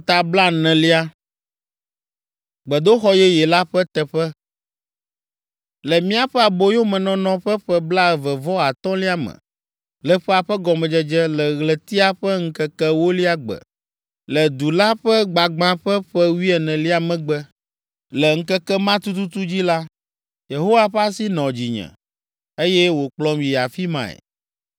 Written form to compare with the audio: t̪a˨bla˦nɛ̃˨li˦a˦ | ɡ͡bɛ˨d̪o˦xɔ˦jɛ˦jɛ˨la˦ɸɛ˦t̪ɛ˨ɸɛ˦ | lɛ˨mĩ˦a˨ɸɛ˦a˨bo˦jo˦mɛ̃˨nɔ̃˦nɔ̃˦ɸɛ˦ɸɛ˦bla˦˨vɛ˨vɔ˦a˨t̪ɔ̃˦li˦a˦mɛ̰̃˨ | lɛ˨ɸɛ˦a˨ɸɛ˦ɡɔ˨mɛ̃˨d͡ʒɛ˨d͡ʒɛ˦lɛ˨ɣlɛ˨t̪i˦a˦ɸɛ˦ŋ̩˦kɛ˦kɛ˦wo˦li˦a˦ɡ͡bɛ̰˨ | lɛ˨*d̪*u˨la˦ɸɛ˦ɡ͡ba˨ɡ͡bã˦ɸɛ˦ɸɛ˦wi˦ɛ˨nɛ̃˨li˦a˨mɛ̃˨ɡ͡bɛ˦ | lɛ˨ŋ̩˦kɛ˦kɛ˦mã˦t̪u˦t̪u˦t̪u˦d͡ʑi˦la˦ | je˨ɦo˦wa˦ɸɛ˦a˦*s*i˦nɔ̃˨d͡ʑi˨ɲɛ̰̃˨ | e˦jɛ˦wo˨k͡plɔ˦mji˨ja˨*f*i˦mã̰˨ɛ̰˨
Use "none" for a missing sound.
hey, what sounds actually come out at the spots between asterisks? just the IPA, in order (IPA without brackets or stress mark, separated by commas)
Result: d̪, s, f